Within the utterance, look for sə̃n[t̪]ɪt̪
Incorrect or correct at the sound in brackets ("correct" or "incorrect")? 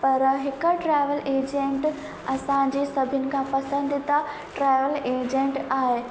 incorrect